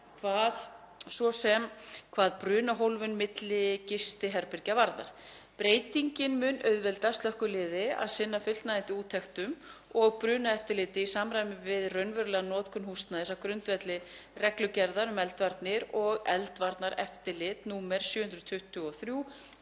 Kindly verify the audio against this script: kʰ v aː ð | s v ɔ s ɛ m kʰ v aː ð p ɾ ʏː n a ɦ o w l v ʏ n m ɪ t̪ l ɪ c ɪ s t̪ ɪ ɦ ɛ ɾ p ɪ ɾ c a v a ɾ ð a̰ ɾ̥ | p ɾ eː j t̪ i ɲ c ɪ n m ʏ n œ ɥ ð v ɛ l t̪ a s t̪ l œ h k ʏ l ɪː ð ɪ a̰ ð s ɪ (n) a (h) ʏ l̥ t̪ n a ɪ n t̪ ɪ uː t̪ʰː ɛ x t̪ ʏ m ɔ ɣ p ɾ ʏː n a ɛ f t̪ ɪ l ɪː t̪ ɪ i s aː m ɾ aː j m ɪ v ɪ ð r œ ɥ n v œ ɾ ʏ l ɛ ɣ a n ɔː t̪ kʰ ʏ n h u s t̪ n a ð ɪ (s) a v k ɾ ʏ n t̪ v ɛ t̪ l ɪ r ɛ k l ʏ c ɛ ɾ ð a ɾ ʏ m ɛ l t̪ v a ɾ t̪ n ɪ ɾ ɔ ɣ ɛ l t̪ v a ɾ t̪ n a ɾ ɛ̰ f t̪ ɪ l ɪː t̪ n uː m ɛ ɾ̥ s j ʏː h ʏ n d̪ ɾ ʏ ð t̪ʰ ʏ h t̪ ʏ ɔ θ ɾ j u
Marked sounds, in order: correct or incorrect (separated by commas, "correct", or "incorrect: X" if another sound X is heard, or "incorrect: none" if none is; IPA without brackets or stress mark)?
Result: incorrect: nː, incorrect: f, correct